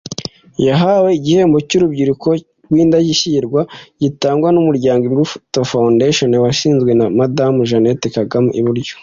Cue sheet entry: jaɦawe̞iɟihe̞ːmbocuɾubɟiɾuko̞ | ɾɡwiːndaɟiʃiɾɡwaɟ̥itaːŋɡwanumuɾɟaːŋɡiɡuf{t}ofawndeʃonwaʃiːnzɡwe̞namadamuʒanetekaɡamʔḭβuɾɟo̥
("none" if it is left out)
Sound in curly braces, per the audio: t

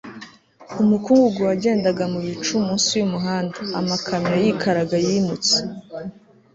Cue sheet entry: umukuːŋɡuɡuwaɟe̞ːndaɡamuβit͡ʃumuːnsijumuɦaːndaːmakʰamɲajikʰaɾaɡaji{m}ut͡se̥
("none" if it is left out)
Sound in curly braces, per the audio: m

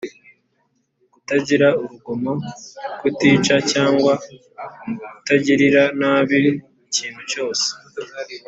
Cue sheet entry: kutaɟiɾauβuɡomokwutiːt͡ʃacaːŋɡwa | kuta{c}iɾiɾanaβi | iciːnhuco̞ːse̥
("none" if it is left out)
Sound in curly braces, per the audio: ɟ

